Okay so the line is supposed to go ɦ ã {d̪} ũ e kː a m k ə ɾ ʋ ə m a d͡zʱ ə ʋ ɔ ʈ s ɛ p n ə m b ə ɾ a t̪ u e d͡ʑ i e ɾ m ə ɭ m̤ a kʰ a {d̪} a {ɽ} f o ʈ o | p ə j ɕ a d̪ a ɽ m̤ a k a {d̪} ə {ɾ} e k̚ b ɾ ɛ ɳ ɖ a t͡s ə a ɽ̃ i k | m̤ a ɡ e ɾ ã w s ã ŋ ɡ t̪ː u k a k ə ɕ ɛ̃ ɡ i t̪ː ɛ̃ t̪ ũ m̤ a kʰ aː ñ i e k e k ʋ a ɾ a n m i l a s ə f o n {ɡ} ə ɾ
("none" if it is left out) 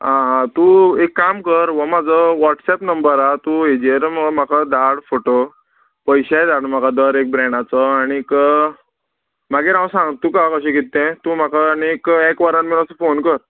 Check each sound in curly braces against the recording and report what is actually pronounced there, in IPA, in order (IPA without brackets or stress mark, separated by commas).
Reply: t̪, d̪, ɽ, d̪, ɾ, k